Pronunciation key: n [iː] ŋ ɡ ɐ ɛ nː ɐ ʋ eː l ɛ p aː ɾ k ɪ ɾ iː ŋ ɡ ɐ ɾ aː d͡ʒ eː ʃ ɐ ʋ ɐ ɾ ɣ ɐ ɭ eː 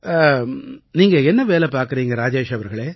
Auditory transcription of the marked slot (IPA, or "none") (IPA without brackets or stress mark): iː